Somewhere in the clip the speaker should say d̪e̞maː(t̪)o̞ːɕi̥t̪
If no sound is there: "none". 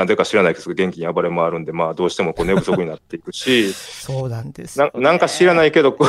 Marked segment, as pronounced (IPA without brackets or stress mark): d̪